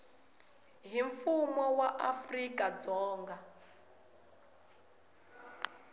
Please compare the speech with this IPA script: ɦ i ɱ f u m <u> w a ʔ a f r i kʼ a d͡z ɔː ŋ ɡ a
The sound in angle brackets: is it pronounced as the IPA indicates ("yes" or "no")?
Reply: no